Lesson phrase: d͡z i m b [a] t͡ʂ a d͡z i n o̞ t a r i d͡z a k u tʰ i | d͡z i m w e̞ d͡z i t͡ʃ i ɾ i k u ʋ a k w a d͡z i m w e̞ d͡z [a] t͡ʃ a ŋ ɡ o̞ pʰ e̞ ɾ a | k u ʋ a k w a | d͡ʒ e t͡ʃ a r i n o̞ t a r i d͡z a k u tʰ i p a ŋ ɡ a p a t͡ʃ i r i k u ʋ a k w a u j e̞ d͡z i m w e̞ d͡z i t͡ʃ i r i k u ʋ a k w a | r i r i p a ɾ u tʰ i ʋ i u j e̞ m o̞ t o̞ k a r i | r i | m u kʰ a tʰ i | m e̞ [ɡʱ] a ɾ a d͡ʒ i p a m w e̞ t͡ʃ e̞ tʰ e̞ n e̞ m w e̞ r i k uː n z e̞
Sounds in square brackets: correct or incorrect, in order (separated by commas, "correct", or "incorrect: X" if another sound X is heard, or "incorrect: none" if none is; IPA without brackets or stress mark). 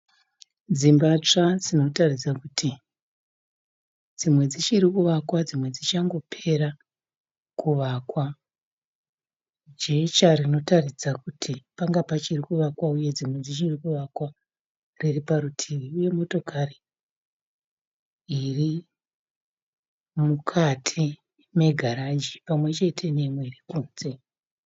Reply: correct, incorrect: i, correct